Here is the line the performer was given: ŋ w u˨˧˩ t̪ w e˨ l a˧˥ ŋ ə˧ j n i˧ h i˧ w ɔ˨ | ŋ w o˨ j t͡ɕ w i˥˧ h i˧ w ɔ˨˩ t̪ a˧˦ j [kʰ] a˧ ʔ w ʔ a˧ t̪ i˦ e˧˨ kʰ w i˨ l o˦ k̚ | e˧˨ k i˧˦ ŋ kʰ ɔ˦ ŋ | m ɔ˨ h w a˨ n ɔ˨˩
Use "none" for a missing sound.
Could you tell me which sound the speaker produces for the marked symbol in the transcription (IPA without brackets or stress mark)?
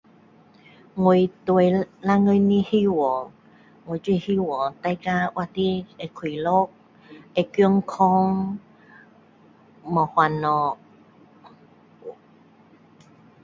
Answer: k